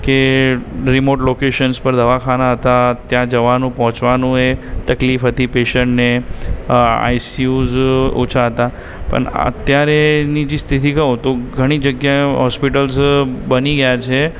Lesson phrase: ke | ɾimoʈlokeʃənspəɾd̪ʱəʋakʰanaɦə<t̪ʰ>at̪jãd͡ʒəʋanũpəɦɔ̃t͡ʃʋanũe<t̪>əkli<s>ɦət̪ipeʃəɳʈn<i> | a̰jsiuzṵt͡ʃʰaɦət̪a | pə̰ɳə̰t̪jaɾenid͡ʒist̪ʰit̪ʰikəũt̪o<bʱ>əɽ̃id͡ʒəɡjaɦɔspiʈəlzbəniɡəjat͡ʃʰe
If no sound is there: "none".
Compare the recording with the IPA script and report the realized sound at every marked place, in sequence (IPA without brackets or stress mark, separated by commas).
t̪, t̪, f, e, ɡʱ